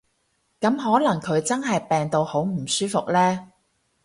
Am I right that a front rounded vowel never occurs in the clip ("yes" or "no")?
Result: no